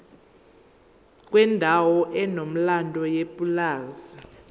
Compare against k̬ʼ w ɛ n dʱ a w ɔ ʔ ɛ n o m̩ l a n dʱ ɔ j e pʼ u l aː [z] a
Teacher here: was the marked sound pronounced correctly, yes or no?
yes